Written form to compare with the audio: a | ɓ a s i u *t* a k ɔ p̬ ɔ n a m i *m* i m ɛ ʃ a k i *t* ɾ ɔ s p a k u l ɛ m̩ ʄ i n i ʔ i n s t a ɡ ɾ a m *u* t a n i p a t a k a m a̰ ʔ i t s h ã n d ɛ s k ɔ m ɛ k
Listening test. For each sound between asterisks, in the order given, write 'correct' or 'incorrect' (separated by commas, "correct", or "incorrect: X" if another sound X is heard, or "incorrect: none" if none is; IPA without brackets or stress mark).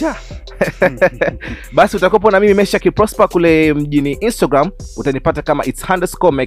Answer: correct, correct, incorrect: p, correct